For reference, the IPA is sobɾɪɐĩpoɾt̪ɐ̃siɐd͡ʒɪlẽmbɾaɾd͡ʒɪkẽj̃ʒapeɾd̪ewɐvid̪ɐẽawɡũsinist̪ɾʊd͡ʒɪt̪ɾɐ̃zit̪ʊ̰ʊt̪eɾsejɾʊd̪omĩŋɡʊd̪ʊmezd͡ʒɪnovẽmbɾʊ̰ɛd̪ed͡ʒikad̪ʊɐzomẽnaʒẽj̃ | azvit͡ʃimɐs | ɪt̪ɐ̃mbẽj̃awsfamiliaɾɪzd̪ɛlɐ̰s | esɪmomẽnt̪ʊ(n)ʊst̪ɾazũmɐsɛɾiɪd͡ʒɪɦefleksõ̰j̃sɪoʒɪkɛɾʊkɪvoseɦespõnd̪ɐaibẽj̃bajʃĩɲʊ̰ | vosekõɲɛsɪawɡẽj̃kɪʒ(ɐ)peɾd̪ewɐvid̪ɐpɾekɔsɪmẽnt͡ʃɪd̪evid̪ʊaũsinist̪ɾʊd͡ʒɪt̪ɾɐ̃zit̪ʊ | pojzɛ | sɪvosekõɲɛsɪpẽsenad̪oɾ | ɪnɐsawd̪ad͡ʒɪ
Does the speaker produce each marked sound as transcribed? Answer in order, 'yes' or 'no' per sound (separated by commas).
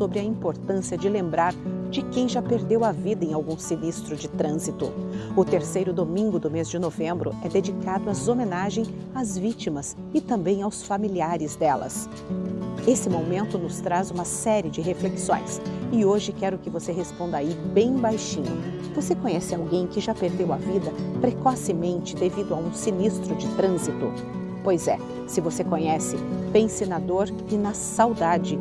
yes, no